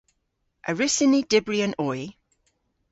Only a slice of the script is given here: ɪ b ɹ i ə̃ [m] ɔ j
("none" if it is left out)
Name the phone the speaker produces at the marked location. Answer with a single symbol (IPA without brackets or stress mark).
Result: n